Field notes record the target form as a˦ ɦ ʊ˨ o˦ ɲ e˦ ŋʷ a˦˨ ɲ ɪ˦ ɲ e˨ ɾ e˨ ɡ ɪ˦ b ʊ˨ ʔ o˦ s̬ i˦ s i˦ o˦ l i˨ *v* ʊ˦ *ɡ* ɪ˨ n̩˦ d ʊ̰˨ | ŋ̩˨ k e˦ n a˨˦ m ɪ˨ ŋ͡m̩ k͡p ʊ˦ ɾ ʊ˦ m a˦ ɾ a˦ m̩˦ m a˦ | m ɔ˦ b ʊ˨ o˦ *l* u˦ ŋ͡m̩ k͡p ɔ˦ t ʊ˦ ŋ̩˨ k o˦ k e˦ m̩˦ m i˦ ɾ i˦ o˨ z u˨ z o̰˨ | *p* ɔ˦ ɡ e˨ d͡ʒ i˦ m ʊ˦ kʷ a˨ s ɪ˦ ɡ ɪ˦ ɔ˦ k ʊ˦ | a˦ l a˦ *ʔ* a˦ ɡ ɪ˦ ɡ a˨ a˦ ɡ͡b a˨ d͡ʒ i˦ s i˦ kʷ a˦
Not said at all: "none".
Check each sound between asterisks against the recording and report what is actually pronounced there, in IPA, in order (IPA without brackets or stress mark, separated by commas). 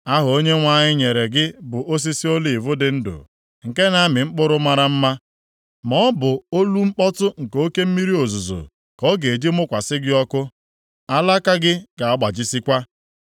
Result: v, d, l, k, k